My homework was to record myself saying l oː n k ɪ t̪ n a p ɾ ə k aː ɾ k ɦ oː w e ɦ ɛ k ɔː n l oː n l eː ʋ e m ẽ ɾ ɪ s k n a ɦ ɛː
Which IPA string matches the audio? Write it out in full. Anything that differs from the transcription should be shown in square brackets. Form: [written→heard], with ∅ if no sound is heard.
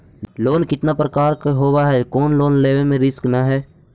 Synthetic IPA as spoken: l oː n k ɪ t̪ n a p ɾ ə k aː ɾ k ɦ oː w [e→a] ɦ ɛ k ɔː n l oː n l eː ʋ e m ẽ ɾ ɪ s k n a ɦ ɛː